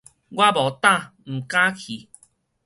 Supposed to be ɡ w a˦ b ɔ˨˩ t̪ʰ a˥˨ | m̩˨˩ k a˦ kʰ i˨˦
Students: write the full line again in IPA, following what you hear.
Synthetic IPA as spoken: ɡ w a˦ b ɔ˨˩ t̪ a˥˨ | m̩˨˩ k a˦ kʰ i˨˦